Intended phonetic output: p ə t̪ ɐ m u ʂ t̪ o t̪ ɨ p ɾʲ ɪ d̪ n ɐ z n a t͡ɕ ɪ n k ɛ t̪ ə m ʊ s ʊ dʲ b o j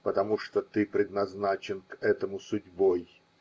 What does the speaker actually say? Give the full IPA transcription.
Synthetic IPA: p ə t̪ ɐ m u ʂ t̪ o t̪ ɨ p ɾʲ ɪ d̪ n ɐ z n a t͡ɕ ɪ n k ɛ t̪ ə m ʊ s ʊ dʲ b o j